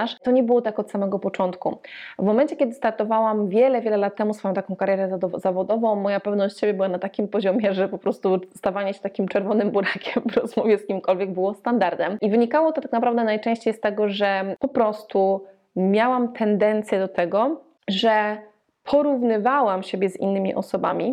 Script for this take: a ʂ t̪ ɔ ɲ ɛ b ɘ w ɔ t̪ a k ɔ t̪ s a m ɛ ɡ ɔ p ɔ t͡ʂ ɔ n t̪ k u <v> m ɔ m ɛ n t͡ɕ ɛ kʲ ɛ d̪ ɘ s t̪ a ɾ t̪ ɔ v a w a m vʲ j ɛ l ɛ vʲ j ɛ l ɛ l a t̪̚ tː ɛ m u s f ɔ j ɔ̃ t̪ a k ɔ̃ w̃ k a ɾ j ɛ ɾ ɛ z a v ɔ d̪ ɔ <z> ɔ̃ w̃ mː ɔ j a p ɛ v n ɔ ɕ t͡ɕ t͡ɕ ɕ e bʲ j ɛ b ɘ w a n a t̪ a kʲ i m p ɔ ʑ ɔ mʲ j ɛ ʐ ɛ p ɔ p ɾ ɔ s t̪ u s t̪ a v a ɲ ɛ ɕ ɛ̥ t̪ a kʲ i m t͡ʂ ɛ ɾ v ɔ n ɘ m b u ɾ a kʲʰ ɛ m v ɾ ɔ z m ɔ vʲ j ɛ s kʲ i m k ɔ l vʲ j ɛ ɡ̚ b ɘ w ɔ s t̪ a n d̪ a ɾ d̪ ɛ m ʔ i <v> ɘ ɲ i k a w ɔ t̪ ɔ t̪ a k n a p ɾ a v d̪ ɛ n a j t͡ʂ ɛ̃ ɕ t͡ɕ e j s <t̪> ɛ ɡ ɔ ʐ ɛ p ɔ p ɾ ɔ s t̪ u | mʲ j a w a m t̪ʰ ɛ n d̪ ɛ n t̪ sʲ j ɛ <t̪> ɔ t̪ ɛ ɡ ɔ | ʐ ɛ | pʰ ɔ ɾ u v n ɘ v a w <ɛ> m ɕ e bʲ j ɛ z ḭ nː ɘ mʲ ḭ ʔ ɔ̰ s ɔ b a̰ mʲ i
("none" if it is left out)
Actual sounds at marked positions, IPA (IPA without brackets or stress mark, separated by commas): v, v, v, t̪, d̪, a